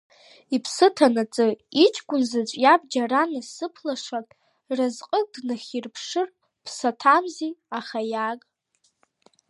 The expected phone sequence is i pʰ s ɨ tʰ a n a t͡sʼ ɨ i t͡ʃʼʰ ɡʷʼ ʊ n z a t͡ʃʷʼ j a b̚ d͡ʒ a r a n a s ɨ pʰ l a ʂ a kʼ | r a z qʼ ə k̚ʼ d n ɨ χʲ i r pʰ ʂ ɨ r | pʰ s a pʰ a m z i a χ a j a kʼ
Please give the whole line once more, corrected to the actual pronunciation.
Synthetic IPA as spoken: i pʰ s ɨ tʰ a n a t͡sʼ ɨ i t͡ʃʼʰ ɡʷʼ ʊ n z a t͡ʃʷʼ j a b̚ d͡ʒ a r a n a s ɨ pʰ l a ʂ a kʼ | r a z qʼ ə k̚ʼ d n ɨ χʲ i r pʰ ʂ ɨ r | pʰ s a tʰ a m z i a χ a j a kʼ